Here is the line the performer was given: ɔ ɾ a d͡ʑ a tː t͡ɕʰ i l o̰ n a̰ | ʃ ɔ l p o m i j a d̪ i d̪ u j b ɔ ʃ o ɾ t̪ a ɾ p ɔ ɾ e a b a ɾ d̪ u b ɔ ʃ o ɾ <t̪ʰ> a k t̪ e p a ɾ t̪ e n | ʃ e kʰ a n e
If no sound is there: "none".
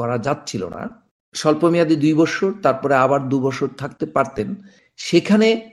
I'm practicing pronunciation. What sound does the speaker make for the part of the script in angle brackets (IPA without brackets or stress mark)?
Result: t̪ʰ